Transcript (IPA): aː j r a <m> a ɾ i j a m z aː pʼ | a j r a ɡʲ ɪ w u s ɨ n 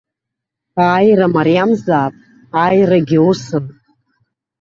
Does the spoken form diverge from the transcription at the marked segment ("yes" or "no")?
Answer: no